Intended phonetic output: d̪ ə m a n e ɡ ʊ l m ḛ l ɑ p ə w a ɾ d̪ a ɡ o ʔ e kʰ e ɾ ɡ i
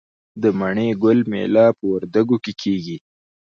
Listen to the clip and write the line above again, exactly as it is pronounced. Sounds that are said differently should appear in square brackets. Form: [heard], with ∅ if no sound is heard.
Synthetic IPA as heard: d̪ ə m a [ɳ] e ɡ ʊ l m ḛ l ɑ p ə w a ɾ d̪ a ɡ o [k] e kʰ e [∅] ɡ i